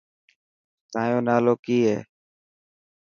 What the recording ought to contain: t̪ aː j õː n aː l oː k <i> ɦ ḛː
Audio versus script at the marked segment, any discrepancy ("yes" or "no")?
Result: yes